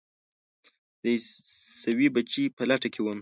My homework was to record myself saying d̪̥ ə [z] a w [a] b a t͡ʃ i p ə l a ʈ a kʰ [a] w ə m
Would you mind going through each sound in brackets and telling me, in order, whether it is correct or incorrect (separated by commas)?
incorrect, incorrect, incorrect